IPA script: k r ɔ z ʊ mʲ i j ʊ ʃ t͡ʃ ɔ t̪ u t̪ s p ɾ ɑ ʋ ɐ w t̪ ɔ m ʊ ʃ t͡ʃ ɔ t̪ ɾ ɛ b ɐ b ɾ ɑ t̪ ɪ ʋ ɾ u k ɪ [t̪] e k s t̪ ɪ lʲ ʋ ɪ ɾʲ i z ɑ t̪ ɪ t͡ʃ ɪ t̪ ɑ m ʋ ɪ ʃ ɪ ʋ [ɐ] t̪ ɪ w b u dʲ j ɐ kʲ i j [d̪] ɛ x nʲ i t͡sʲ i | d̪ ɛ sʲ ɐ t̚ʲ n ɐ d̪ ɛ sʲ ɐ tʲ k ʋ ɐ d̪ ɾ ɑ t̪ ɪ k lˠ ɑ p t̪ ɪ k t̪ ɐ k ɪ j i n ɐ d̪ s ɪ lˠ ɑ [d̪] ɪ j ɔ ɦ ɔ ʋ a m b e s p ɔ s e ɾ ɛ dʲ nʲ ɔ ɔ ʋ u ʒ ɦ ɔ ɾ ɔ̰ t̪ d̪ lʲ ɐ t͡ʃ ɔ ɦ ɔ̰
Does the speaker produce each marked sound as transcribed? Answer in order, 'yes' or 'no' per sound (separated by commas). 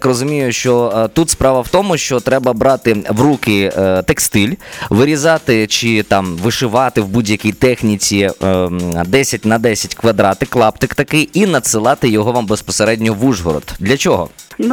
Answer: yes, no, no, no